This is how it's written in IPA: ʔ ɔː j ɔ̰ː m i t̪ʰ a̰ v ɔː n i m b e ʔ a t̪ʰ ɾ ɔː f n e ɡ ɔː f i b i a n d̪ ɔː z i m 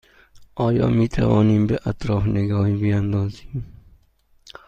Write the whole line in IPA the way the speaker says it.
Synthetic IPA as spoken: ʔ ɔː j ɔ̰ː m i t̪ʰ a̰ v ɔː n i m b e ʔ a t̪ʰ ɾ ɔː f n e ɡ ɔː h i b i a n d̪ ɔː z i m